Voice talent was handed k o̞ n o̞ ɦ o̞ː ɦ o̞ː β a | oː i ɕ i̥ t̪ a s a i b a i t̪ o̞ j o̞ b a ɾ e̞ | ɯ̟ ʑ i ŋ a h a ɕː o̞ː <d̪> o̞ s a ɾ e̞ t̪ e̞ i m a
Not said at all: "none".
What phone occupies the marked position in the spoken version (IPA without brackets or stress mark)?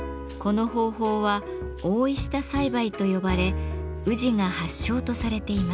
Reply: t̪